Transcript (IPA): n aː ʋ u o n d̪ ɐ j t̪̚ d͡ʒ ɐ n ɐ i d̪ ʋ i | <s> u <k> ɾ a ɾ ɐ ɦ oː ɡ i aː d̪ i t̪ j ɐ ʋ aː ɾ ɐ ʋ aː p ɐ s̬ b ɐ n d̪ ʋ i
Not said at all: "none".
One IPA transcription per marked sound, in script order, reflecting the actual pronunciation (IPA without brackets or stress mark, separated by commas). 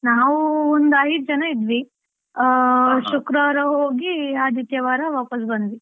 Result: ʃ, k